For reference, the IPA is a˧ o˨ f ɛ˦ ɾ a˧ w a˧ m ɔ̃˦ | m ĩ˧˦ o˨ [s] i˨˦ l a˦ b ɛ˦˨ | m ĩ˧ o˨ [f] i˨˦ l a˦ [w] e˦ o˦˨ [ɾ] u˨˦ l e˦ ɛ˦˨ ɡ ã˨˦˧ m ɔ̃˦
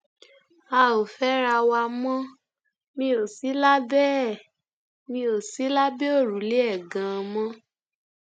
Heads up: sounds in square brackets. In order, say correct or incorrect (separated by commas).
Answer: correct, incorrect, incorrect, correct